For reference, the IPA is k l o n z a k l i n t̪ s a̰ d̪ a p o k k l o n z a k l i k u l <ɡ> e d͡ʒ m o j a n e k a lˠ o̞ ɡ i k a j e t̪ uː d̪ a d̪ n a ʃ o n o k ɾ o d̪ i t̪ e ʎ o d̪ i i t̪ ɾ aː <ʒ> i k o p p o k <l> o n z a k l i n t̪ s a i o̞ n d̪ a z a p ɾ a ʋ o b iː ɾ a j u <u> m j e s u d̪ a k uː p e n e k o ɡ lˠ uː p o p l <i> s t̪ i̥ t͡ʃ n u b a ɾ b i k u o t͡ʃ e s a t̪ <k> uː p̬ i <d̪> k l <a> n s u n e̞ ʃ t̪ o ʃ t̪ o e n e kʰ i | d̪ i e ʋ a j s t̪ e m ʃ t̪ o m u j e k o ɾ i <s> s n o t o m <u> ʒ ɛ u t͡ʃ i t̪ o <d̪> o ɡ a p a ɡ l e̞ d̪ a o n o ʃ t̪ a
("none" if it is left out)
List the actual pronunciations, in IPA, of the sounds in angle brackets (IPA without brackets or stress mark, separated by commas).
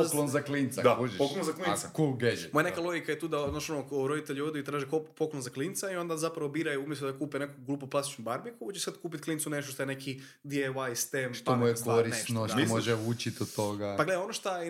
ɡ, ʒ, l, u, a, k, t̪, i, s, o, t̪